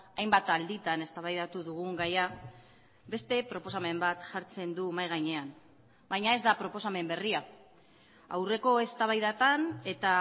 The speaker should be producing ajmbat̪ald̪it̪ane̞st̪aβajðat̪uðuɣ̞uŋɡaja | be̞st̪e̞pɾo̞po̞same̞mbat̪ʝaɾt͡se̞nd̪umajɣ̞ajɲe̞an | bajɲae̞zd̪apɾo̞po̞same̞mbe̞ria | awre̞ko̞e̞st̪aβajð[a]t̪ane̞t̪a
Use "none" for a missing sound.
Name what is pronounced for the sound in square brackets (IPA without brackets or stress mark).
a